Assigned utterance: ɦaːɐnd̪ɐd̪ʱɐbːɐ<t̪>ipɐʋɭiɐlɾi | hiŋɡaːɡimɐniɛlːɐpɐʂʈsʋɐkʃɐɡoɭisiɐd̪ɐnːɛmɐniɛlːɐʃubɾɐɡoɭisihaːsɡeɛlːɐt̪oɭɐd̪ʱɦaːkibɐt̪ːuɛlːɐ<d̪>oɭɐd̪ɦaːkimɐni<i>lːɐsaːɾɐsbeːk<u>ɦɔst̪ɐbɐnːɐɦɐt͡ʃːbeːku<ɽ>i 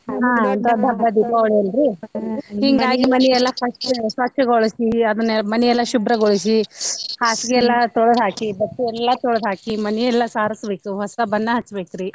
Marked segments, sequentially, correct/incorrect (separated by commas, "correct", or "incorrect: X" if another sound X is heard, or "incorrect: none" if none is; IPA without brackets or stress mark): incorrect: d̪, incorrect: t̪, incorrect: ɛ, correct, incorrect: ɾ